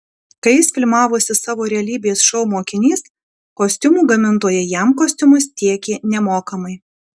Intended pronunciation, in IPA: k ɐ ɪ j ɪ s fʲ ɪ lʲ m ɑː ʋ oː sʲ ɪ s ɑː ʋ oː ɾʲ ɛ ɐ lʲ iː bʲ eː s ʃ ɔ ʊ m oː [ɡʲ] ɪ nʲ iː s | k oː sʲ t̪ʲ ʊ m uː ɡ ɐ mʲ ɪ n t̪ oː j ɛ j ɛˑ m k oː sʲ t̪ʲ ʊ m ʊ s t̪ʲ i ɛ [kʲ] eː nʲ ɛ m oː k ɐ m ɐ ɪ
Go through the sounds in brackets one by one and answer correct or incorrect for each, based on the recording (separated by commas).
incorrect, correct